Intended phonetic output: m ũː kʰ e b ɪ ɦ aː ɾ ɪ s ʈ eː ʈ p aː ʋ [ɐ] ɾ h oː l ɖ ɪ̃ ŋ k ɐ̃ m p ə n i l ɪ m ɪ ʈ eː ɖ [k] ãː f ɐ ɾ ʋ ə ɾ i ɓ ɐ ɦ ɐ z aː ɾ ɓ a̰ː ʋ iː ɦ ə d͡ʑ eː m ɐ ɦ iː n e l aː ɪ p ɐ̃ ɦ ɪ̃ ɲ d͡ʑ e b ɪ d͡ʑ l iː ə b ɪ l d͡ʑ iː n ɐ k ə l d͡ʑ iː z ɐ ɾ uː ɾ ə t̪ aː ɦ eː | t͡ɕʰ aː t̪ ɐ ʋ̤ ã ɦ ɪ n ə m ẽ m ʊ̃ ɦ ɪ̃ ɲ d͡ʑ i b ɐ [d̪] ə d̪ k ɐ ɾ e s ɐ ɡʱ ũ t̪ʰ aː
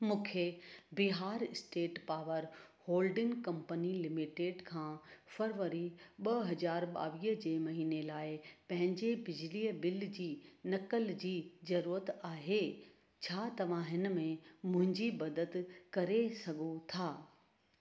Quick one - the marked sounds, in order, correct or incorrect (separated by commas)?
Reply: incorrect, incorrect, correct